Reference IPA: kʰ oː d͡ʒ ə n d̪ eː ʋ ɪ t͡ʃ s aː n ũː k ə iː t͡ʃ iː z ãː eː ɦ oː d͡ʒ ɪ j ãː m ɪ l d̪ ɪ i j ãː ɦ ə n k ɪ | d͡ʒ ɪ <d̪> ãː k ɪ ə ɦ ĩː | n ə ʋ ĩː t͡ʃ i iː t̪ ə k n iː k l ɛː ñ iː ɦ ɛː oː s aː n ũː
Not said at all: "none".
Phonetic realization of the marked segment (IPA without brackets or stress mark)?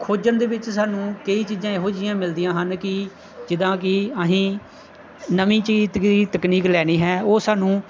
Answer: d̪